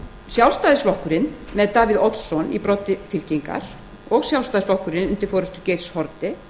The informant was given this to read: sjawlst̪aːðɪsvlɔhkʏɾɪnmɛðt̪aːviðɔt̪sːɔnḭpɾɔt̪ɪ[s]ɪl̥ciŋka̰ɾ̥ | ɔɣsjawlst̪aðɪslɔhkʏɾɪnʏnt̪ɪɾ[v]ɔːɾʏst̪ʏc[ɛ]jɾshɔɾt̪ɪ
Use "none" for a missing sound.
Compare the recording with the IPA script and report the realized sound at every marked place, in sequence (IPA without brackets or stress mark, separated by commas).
f, f, e